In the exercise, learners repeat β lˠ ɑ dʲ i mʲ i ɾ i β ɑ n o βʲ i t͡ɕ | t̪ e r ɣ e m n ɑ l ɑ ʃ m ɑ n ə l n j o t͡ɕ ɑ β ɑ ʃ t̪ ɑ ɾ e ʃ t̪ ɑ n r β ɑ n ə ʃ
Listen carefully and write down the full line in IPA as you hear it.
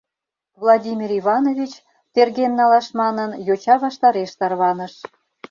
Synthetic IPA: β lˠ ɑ dʲ i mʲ i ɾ i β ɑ n o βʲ i t͡ɕ | t̪ e r ɣ e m n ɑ l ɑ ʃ m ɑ n ə n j o t͡ɕ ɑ β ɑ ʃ t̪ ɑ ɾ e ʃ t̪ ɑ r β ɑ n ə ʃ